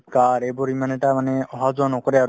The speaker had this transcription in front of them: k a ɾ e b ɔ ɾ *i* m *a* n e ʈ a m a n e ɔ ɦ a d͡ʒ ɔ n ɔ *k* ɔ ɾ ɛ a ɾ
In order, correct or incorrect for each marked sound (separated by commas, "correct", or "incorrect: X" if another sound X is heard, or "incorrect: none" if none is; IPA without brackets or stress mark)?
correct, correct, correct